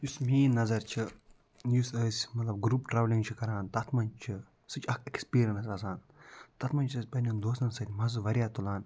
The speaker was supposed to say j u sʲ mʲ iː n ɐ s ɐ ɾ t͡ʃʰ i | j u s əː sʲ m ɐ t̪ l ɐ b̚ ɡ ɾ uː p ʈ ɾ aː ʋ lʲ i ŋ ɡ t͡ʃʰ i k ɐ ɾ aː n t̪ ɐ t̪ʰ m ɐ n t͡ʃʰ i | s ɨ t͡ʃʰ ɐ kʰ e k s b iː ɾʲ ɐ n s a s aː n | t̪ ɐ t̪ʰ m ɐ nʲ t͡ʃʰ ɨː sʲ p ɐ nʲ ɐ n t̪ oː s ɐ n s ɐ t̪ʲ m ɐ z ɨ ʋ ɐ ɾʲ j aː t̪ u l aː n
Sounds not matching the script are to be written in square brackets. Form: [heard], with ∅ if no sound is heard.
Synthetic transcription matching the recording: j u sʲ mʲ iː n ɐ [z] ɐ ɾ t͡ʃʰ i | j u s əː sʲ m ɐ t̪ l ɐ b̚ ɡ ɾ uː p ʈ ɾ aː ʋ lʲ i ŋ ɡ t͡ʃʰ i k ɐ ɾ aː n t̪ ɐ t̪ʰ m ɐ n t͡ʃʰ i | s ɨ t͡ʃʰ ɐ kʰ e k s [p] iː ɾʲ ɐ n s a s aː n | t̪ ɐ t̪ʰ m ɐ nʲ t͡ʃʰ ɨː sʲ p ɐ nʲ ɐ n [d̪] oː s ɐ n s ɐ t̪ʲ m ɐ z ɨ ʋ ɐ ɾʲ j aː t̪ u l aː n